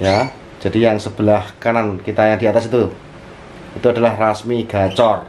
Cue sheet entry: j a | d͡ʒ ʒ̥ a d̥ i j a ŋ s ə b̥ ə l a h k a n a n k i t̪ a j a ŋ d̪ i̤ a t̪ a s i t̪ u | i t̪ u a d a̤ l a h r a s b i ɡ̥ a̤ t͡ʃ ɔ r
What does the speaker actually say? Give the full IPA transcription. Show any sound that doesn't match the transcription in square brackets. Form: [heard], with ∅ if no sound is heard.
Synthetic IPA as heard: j a | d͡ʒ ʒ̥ a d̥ i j a ŋ s ə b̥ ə l a h k a n a n k i t̪ a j a ŋ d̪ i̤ a t̪ a s i t̪ u | i t̪ u a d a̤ l a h r a s [m] i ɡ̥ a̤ t͡ʃ ɔ r